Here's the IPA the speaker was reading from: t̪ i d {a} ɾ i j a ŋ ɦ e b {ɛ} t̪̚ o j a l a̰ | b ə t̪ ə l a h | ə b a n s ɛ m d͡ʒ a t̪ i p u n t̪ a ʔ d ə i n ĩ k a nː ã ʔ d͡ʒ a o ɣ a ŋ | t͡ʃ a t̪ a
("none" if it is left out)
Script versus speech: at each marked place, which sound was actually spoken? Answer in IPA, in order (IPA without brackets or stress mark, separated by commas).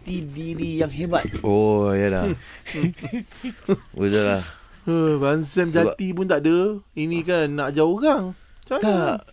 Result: i, a